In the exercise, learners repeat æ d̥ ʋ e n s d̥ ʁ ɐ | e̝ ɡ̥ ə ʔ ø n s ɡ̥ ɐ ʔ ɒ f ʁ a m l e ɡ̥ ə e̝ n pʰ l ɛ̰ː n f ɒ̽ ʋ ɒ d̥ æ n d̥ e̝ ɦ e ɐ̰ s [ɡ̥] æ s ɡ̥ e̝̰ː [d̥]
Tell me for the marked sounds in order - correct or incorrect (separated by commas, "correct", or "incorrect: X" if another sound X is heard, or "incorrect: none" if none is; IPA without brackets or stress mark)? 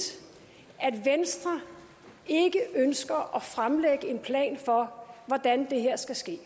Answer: correct, incorrect: none